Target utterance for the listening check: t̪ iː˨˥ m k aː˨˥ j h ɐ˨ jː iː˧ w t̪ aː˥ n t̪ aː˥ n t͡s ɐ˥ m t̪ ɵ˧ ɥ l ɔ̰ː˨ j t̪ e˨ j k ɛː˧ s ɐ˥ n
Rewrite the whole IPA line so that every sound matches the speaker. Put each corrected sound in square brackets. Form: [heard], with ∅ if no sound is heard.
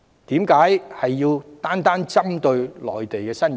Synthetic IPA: t̪ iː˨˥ m k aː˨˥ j h ɐ˨ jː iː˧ w t̪ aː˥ n t̪ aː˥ n t͡s ɐ˥ m t̪ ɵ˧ ɥ l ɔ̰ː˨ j t̪ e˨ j k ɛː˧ s ɐ˥ n